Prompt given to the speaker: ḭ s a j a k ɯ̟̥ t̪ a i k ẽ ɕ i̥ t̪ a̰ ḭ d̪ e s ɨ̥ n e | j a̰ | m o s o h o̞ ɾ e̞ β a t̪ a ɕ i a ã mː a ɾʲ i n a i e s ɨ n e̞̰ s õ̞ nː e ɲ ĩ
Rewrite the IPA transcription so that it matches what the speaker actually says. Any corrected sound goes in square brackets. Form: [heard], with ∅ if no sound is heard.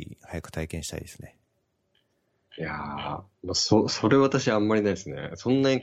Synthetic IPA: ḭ [h] a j a k ɯ̟̥ t̪ a i k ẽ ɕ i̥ t̪ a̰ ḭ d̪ e s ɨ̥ n e | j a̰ | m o s o [s] o̞ ɾ e̞ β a t̪ a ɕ i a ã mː a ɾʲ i n a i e s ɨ n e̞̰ s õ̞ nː [a] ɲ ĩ